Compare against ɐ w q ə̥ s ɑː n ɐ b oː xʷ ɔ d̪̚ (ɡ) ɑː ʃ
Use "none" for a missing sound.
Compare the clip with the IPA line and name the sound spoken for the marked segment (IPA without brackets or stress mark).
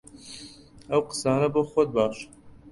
b